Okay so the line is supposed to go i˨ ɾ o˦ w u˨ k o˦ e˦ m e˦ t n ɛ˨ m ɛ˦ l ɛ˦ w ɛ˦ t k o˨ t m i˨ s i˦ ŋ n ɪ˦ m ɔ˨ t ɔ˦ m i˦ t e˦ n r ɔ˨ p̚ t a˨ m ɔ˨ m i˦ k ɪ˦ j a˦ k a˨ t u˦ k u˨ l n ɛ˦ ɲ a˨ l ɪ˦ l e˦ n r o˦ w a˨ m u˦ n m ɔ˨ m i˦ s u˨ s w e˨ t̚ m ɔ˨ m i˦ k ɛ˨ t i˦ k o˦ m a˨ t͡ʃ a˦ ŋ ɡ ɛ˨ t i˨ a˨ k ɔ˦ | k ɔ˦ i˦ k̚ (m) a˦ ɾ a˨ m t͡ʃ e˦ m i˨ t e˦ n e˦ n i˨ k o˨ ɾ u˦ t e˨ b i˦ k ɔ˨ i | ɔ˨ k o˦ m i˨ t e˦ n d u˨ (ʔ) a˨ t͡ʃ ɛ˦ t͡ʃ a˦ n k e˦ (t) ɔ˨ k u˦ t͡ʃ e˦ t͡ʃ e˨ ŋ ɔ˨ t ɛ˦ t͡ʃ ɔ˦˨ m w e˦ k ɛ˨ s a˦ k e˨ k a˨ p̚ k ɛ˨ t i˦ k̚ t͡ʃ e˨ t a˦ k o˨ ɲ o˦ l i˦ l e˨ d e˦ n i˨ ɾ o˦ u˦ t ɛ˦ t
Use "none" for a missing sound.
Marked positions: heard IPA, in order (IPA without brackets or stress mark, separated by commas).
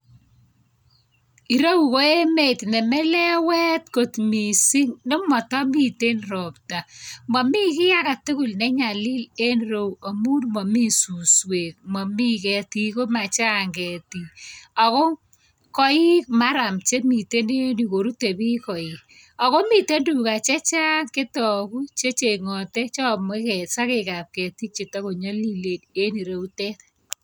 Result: m, k, t